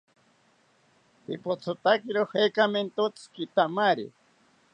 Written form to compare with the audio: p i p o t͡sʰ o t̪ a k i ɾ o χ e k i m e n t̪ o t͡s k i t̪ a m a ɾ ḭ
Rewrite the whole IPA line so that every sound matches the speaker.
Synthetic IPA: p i p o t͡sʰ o t̪ a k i ɾ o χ e k a m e n t̪ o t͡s k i t̪ a m a ɾ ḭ